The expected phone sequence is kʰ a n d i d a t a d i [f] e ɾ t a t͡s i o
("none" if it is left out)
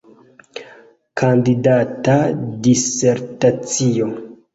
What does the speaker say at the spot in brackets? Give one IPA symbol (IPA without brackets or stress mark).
s